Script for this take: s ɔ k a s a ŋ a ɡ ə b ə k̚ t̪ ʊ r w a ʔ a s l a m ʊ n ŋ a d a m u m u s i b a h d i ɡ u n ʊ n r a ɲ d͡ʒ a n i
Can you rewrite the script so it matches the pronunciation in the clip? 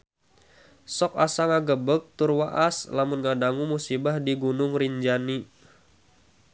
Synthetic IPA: s ɔ k a s a ŋ a ɡ ə b ə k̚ t̪ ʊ r w a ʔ a s l a m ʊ n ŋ a d a ŋ u m u s i b a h d i ɡ u n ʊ ŋ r i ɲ d͡ʒ a n i